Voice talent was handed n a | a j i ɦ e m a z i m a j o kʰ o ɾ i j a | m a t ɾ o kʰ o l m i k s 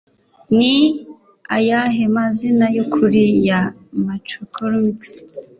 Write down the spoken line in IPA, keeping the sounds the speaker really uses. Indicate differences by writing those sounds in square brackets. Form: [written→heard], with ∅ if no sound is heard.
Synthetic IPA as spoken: n [a→i] | a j [i→a] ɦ e m a z i [m→n] a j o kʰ [o→u] ɾ i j a | m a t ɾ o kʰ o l m i k s